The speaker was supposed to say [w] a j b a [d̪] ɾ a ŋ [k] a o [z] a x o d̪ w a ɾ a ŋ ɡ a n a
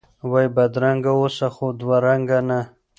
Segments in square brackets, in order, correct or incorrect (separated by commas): correct, correct, incorrect, incorrect